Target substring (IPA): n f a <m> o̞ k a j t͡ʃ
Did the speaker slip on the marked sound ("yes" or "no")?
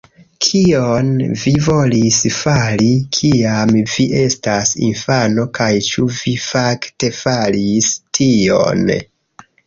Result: yes